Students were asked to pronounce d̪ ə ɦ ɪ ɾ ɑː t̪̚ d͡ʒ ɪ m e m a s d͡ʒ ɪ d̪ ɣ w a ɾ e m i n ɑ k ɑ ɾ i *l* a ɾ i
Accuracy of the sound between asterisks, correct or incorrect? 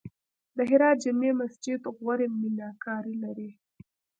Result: correct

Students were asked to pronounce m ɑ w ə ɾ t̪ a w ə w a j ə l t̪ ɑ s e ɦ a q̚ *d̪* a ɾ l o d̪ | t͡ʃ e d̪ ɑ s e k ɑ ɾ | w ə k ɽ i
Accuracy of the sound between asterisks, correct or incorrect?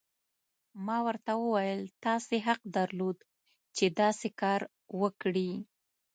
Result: correct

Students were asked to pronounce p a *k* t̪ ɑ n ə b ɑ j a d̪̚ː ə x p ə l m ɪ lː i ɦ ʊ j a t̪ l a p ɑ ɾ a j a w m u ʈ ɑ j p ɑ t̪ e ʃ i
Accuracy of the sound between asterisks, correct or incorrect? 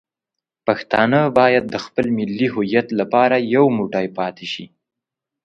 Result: incorrect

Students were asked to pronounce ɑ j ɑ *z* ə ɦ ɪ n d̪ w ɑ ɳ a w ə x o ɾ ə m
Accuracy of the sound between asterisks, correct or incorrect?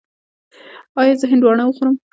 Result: correct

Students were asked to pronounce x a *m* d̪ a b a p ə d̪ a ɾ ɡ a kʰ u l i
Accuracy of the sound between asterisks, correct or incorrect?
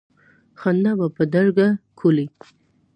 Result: incorrect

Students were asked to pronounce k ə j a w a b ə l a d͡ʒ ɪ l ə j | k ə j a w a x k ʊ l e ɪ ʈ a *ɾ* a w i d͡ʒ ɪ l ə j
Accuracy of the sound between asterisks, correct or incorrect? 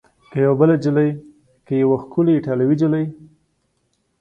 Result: incorrect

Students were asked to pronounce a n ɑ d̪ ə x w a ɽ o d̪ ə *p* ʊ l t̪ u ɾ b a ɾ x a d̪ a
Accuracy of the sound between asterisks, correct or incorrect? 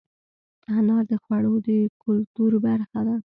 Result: incorrect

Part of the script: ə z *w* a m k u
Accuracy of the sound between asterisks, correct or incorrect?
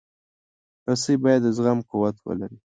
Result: incorrect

